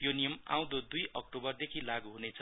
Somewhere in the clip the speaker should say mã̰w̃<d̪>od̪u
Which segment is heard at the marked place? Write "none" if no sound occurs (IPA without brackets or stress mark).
d̪